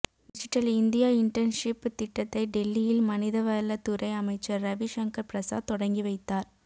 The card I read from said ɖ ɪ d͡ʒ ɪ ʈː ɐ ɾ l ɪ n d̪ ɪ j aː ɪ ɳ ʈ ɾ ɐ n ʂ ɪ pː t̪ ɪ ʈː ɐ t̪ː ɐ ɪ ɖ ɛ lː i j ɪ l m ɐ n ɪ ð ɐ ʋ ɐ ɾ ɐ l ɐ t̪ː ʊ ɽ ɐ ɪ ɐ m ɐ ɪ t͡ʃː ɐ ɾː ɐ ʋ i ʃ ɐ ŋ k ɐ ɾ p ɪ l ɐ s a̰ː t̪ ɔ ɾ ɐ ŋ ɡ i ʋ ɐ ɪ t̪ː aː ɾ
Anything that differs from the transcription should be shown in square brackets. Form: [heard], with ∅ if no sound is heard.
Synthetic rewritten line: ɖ ɪ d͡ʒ ɪ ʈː ɐ [∅] l ɪ n d̪ ɪ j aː ɪ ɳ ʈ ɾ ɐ n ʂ ɪ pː t̪ ɪ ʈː ɐ t̪ː ɐ ɪ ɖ ɛ lː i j ɪ l m ɐ n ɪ ð ɐ ʋ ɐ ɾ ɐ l ɐ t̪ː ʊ [ɾ] ɐ ɪ ɐ m ɐ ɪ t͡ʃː ɐ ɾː ɐ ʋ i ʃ ɐ ŋ k ɐ ɾ p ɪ [ɾ] ɐ s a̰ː t̪ ɔ [ɽ] ɐ ŋ ɡ i ʋ ɐ ɪ t̪ː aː ɾ